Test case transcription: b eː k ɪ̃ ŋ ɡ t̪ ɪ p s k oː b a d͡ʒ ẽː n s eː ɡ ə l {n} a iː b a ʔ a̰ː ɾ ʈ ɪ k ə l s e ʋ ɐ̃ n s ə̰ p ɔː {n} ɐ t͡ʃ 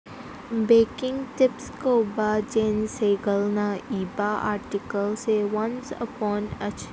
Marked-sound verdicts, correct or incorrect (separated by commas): correct, correct